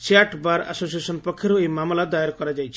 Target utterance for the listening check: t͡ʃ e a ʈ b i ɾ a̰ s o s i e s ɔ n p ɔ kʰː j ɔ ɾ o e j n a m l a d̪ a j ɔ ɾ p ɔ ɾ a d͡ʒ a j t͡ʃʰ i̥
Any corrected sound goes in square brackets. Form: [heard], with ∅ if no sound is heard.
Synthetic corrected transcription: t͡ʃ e a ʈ b [a] ɾ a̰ s o s i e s ɔ n p ɔ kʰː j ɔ ɾ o e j [m] a m l a d̪ a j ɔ ɾ [k] ɔ ɾ a d͡ʒ a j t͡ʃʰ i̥